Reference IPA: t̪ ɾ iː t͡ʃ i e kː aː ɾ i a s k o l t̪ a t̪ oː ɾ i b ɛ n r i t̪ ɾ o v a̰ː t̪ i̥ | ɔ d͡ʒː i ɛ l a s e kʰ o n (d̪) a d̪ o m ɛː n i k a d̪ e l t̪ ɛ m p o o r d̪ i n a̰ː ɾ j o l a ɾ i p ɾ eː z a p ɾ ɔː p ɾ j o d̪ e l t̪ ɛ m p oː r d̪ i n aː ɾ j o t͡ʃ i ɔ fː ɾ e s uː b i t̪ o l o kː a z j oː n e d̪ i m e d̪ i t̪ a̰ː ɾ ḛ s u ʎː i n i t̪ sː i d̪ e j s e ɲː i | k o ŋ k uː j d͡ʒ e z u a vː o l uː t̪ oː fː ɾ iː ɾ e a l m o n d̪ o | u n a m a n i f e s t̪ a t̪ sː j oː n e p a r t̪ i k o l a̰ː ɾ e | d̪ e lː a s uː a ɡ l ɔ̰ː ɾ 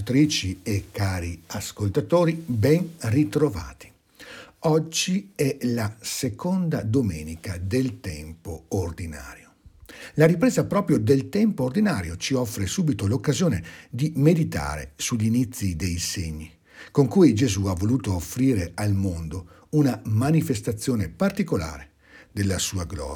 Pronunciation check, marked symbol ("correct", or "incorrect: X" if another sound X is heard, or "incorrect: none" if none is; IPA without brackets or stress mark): correct